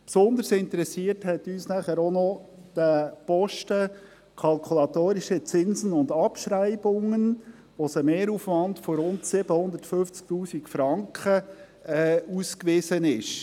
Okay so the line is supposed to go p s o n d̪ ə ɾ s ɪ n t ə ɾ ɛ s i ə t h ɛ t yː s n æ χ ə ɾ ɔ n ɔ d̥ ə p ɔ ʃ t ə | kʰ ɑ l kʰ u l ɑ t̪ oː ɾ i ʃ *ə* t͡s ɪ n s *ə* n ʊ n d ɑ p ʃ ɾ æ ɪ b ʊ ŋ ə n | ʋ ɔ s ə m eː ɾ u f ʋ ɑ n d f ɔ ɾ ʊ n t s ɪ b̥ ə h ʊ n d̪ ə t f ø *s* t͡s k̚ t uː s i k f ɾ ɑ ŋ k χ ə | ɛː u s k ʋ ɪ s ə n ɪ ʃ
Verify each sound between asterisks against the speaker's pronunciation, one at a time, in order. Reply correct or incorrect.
correct, correct, incorrect

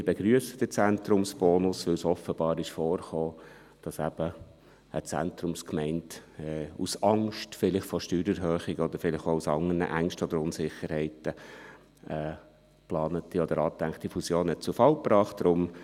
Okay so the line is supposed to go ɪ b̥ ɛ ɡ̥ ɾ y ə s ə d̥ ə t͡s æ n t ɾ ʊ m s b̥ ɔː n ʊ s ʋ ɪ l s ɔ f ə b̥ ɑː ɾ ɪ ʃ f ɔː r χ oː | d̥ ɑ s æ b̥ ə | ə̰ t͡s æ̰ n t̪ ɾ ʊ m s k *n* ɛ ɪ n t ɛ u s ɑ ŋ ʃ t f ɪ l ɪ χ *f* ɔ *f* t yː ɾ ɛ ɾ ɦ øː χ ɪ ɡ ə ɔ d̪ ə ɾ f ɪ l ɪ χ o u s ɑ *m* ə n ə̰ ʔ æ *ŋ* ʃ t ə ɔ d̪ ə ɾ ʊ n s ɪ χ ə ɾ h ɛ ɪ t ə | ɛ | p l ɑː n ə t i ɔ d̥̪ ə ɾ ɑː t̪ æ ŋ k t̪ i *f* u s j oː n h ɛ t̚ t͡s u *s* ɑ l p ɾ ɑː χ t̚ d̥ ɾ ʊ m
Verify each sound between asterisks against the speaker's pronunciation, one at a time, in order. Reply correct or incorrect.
incorrect, correct, incorrect, incorrect, correct, correct, incorrect

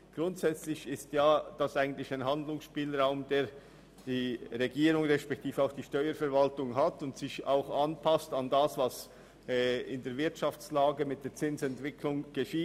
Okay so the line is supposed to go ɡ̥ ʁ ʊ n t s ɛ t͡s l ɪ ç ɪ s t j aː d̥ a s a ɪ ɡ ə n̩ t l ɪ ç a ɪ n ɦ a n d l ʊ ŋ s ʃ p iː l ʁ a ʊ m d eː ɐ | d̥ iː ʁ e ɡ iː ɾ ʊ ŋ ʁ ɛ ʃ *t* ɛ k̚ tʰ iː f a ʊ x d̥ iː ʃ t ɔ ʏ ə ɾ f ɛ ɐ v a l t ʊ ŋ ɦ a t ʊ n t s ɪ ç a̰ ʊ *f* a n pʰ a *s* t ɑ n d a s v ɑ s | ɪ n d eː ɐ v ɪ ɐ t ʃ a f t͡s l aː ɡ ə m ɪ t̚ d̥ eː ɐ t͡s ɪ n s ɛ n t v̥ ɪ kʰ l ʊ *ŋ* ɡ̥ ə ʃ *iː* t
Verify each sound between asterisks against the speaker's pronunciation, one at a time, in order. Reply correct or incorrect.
incorrect, incorrect, correct, correct, correct

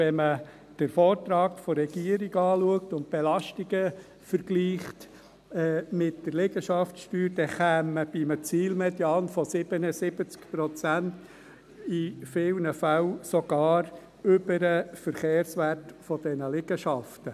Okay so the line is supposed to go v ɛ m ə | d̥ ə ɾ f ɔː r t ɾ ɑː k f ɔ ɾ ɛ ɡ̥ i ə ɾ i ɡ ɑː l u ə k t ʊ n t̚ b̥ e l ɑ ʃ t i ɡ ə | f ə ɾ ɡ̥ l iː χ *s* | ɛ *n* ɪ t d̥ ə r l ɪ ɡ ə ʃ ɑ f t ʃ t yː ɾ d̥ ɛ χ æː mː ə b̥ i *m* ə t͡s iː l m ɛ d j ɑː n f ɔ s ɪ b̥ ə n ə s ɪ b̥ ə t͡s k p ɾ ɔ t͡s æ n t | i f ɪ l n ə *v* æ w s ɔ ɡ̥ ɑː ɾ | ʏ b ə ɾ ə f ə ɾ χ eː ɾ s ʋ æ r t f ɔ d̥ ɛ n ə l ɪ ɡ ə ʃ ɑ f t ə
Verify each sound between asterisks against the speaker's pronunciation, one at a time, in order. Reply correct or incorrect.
incorrect, incorrect, correct, incorrect

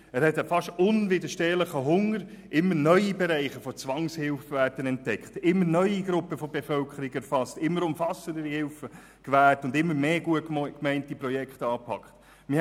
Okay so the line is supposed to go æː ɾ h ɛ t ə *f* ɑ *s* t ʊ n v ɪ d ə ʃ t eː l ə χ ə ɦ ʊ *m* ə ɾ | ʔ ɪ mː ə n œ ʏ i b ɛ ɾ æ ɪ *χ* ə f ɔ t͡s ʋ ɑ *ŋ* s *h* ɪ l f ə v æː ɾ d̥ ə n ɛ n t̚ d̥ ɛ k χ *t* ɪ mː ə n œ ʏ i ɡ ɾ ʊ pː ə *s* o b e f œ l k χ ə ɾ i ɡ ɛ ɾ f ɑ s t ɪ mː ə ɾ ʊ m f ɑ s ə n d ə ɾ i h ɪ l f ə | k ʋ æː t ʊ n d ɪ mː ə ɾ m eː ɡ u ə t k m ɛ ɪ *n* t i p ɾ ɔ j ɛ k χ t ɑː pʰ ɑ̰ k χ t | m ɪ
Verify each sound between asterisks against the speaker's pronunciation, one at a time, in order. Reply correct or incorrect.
correct, incorrect, incorrect, correct, correct, correct, correct, incorrect, correct

